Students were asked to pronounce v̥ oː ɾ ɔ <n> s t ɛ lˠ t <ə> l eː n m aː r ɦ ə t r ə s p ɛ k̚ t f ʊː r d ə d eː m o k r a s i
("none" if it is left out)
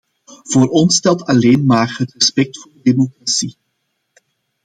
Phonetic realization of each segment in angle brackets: n, ɑ

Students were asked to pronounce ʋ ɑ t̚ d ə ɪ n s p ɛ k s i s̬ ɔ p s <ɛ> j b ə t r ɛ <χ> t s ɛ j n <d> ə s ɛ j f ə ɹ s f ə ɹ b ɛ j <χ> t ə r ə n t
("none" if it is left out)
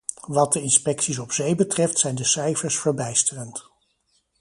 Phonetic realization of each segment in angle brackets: e, f, d, s

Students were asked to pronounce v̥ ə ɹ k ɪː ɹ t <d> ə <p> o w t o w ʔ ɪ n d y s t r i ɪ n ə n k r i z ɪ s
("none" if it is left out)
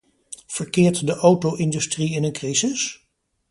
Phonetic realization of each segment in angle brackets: d, ʔ

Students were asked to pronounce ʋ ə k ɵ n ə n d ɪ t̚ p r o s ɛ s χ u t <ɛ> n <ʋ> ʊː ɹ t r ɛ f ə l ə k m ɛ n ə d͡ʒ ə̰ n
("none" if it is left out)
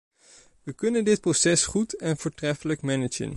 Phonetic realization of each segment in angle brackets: ɛ, v

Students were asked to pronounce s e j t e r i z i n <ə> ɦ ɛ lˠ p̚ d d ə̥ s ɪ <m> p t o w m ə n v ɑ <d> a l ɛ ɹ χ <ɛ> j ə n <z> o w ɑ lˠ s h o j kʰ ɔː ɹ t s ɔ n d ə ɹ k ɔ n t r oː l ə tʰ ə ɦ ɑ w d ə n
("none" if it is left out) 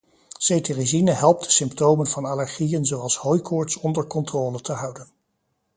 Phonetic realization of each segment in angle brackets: ə, m, n, i, z

